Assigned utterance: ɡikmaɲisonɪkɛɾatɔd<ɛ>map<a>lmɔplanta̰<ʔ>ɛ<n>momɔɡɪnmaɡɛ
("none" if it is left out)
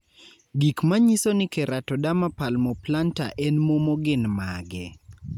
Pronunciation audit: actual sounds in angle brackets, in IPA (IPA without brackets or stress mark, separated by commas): a, a, ʔ, n